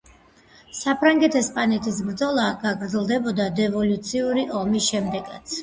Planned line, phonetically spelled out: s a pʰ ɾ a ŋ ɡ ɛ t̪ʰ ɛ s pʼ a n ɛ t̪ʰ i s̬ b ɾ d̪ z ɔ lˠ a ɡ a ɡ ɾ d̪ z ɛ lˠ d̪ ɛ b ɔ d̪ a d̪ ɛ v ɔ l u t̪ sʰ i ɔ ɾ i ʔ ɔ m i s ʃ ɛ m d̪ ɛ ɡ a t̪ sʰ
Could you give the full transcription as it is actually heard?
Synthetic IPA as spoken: s a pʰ ɾ a ŋ ɡ ɛ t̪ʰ ɛ s pʼ a n ɛ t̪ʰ i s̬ b ɾ d̪ z ɔ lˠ a ɡ a ɡ ɾ d̪ z ɛ lˠ d̪ ɛ b ɔ d̪ a d̪ ɛ v ɔ l u t̪ sʰ i u ɾ i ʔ ɔ m i s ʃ ɛ m d̪ ɛ ɡ a t̪ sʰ